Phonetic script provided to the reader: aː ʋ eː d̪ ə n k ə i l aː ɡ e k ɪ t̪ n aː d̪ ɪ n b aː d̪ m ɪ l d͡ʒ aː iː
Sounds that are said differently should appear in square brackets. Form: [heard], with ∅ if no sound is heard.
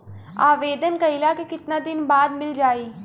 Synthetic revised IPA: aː ʋ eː d̪ ə n k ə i l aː [k] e k ɪ t̪ n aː d̪ ɪ n b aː d̪ m ɪ l d͡ʒ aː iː